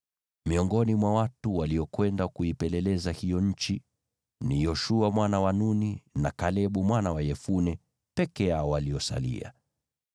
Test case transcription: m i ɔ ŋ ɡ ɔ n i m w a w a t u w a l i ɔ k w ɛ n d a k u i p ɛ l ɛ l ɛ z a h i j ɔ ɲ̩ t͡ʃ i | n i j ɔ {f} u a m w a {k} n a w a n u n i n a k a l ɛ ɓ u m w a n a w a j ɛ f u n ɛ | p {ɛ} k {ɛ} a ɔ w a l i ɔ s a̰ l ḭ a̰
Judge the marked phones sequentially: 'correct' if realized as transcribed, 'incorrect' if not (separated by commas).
incorrect, incorrect, correct, correct